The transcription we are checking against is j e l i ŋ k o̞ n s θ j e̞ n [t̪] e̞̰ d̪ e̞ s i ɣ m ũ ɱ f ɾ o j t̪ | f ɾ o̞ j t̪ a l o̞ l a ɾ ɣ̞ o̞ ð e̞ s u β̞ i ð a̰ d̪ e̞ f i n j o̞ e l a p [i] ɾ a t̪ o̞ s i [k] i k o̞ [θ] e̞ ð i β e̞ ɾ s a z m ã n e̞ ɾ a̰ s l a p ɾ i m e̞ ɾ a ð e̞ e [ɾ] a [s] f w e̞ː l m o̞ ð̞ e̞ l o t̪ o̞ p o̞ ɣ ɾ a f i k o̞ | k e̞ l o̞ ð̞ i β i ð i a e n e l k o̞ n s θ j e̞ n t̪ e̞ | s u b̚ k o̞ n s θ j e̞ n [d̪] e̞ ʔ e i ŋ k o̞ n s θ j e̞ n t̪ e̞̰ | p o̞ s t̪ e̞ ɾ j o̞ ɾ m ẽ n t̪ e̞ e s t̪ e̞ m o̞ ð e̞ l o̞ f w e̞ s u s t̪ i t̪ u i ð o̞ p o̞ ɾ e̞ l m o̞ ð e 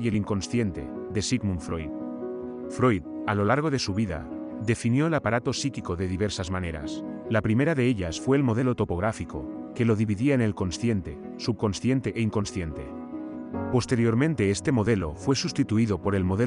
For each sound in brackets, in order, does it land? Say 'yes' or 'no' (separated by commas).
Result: yes, no, yes, no, no, yes, no